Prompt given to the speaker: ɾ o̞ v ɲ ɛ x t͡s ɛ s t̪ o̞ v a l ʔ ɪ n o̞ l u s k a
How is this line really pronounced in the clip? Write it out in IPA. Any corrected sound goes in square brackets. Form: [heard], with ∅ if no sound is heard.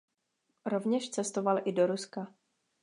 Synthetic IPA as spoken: ɾ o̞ v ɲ ɛ [ʃ] t͡s ɛ s t̪ o̞ v a l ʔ ɪ [d] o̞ [ɾ] u s k a